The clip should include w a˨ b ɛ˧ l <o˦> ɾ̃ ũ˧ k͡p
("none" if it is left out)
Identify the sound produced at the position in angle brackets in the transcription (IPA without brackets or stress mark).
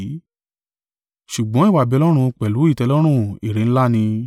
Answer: ɔ˦